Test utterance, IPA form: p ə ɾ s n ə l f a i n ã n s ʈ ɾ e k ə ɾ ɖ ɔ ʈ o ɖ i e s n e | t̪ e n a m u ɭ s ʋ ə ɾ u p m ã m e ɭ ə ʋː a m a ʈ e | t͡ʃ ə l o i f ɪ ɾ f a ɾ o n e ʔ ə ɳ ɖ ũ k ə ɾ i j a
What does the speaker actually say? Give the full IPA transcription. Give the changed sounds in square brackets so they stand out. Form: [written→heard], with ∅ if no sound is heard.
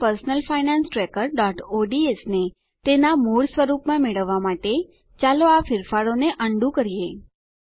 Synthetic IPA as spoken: p ə ɾ s n ə l f a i n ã n s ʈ ɾ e k ə ɾ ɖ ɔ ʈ o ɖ i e s n e | t̪ e n a m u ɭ s ʋ ə ɾ u p m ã m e ɭ ə ʋː a m a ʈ e | t͡ʃ [ə→a] l o [i→a] f ɪ ɾ f a ɾ o n e ʔ ə ɳ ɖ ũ k ə ɾ i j [a→e]